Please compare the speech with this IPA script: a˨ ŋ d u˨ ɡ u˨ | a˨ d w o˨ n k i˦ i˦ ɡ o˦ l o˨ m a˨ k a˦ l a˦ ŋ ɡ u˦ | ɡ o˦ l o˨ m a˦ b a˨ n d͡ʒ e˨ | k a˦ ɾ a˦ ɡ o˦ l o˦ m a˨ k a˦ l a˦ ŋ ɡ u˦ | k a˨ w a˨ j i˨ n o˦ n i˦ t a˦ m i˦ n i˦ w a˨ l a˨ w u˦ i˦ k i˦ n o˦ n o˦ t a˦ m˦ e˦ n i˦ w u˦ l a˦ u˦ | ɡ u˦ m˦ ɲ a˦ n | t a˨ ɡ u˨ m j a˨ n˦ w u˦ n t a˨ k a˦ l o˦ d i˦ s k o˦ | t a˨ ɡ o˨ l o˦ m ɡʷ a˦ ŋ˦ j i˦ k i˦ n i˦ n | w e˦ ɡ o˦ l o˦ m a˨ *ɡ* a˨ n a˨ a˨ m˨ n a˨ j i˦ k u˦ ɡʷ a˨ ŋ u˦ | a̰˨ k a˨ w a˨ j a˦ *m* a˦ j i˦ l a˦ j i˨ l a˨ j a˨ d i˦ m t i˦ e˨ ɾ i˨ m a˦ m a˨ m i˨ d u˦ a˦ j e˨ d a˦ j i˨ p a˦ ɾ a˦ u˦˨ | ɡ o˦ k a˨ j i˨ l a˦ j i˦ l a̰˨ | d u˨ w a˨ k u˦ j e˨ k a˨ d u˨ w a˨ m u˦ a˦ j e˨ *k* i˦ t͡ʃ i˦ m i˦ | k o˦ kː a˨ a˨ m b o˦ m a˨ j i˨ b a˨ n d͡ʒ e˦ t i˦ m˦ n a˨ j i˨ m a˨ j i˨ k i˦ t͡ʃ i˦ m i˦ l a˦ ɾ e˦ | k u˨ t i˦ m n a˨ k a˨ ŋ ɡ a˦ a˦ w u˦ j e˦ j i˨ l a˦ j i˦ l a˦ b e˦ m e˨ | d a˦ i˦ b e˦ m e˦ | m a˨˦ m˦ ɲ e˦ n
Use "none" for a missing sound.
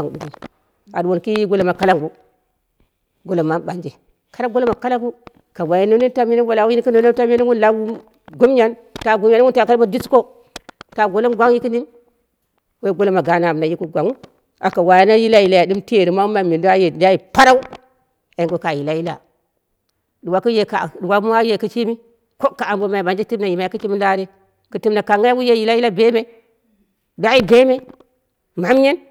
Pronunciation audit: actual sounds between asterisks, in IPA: ɡ, n, k

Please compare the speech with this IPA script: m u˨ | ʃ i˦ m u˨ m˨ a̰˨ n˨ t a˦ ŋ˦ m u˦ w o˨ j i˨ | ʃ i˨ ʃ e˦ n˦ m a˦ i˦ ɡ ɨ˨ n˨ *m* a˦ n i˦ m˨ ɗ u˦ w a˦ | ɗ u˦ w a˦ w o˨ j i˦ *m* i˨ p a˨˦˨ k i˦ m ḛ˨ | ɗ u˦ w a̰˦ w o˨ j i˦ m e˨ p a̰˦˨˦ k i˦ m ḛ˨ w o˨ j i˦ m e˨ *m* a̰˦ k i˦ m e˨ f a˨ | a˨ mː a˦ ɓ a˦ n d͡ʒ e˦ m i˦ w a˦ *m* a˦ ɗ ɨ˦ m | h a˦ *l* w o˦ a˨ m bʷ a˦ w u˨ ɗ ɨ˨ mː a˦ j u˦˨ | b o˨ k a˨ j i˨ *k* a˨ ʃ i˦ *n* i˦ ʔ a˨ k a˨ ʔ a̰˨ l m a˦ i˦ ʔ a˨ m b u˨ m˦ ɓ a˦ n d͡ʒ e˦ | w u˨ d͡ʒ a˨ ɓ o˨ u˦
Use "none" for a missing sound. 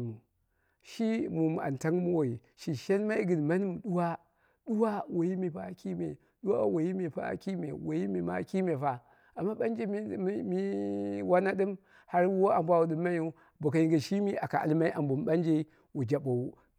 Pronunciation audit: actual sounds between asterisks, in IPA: m, m, m, n, ɾ, ɡ, m

